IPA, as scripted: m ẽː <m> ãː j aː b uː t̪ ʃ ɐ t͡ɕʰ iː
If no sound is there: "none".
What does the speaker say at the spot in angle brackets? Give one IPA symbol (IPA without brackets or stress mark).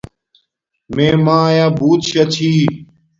m